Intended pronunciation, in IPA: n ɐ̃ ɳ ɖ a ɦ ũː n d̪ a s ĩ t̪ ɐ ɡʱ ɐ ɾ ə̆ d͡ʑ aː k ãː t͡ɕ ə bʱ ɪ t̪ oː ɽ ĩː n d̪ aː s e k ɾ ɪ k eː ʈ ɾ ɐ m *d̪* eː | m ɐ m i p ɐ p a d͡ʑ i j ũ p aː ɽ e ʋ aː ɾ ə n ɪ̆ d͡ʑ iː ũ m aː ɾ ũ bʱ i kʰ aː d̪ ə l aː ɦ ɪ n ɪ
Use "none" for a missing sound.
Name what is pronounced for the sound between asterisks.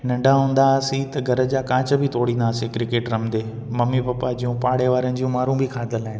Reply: d̪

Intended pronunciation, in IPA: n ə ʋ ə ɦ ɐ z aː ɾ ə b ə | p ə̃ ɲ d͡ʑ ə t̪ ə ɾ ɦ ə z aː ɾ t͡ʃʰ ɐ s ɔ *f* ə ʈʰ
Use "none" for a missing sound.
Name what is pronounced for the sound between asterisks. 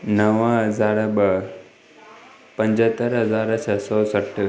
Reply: s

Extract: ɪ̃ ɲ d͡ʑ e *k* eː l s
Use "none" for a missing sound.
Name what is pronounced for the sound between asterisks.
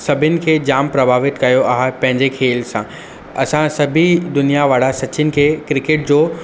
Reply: kʰ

